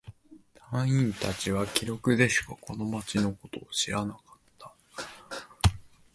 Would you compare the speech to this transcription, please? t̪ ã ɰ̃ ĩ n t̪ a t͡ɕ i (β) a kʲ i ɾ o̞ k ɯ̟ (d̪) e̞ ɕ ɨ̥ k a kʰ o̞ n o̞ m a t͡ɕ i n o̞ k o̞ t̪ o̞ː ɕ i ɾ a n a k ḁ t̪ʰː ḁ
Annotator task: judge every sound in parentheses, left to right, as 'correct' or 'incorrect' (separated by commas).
correct, correct